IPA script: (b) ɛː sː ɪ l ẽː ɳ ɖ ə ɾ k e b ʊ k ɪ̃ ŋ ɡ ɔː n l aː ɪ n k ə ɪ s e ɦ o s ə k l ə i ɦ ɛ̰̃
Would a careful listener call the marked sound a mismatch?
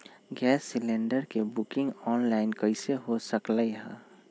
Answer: yes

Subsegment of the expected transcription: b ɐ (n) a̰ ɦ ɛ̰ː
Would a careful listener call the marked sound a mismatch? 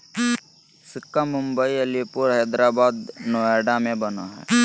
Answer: no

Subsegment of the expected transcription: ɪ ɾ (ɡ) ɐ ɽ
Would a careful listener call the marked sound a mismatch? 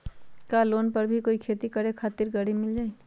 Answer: no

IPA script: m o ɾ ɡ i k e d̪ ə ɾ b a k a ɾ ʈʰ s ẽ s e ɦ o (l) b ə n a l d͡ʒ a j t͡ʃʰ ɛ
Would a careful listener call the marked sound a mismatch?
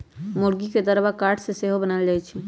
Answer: yes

